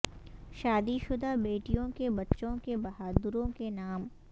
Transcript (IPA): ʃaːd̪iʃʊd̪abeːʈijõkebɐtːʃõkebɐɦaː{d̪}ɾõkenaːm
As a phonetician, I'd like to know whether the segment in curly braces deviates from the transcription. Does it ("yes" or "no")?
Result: no